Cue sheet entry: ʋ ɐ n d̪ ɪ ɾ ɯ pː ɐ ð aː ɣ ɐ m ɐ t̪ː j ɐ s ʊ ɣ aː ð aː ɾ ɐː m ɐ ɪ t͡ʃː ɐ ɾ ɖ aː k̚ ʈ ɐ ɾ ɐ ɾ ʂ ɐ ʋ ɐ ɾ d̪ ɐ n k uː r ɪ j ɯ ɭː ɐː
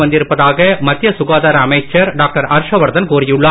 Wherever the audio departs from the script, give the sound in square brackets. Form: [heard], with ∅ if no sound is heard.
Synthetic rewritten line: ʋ ɐ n d̪ ɪ ɾ ɯ pː ɐ ð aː ɣ ɐ m ɐ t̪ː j ɐ s ʊ ɣ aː ð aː ɾ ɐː m ɐ ɪ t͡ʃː ɐ ɾ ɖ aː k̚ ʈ ɐ ɾ ɐ ɾ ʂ ɐ ʋ ɐ ɾ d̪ ɐ n k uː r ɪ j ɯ ɭː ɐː

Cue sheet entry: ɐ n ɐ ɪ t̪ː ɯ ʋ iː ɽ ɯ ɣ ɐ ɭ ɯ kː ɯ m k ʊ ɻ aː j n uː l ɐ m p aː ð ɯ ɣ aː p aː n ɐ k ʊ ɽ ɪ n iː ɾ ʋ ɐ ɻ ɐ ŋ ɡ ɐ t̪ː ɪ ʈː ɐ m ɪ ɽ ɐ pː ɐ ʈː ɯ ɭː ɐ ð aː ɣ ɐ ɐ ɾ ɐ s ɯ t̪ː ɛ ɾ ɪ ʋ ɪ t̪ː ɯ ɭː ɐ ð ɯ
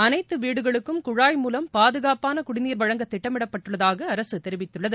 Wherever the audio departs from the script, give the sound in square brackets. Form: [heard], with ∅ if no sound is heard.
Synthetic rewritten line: ɐ n ɐ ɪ t̪ː ɯ ʋ iː ɽ ɯ ɣ ɐ ɭ ɯ kː ɯ m k ʊ ɻ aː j [m] uː l ɐ m p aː ð ɯ ɣ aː p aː n ɐ k ʊ ɽ ɪ n iː ɾ ʋ ɐ ɻ ɐ ŋ ɡ ɐ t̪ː ɪ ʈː ɐ m ɪ ɽ ɐ pː ɐ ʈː ɯ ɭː ɐ ð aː ɣ ɐ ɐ ɾ ɐ s ɯ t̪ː ɛ ɾ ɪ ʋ ɪ t̪ː ɯ ɭː ɐ ð ɯ

